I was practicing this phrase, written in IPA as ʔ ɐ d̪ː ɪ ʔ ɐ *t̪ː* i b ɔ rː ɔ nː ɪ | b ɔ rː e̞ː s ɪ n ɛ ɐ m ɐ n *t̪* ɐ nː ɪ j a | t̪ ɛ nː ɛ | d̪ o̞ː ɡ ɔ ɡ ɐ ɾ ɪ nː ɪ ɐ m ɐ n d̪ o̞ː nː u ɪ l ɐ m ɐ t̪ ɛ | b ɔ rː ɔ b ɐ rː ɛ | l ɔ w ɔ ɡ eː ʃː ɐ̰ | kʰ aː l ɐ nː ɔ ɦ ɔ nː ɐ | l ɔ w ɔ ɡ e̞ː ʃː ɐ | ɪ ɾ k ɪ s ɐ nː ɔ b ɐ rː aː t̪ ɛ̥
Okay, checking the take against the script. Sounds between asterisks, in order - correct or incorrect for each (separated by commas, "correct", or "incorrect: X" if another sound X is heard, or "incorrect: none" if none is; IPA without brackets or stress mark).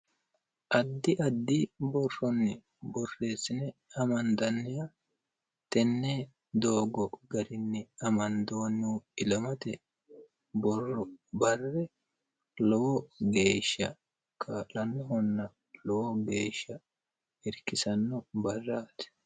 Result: incorrect: d̪ː, incorrect: d̪